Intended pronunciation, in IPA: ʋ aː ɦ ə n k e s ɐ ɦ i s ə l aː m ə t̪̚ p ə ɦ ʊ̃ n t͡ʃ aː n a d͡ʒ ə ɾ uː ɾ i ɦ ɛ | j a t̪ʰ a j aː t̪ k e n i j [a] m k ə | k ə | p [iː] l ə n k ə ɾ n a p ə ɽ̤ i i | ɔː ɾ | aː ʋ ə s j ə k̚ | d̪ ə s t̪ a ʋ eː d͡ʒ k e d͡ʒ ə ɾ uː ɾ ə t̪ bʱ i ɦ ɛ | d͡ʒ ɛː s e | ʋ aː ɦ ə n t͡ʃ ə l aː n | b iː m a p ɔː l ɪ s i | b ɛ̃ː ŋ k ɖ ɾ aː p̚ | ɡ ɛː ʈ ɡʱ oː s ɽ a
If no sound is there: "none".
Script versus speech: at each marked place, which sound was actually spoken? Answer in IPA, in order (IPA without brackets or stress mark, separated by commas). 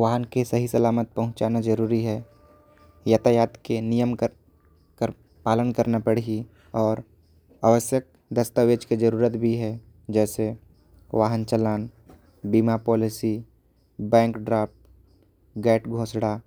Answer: ə, aː